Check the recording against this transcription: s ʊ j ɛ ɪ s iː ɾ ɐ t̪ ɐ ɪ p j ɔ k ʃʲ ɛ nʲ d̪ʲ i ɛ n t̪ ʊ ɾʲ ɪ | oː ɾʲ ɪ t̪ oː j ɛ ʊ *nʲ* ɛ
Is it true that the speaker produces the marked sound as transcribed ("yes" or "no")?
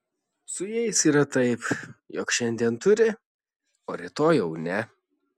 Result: yes